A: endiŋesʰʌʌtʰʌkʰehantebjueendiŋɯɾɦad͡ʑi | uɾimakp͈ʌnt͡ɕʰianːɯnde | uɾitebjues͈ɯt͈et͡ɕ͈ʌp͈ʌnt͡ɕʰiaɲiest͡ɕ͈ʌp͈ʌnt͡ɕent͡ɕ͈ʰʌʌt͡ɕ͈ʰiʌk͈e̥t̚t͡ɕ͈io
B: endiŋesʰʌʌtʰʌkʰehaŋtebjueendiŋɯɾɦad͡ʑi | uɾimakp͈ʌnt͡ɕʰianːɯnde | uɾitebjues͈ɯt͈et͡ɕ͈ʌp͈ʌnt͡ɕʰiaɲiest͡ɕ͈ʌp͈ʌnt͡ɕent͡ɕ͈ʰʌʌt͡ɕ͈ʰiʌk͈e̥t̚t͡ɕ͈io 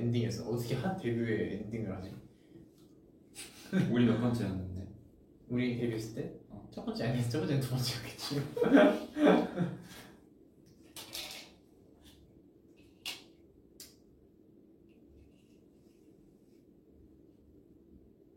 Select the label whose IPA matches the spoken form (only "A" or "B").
A